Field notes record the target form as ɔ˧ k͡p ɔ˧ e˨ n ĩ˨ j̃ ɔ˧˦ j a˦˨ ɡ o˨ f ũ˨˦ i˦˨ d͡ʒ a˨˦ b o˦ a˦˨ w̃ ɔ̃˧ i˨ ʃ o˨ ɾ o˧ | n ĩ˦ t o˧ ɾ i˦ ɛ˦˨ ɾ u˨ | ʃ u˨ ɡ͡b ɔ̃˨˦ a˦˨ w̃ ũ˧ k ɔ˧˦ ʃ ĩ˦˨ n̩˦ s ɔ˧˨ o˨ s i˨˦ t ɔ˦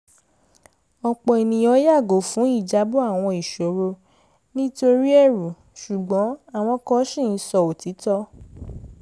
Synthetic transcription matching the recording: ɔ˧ k͡p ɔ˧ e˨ n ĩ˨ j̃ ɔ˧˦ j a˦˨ ɡ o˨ f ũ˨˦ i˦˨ d͡ʒ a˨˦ b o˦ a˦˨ w̃ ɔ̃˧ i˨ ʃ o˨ ɾ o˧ | n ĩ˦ t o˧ ɾ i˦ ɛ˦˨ ɾ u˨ | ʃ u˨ ɡ͡b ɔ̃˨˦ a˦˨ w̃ ɔ̃˧ k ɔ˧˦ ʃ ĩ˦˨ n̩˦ s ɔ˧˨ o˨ t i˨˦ t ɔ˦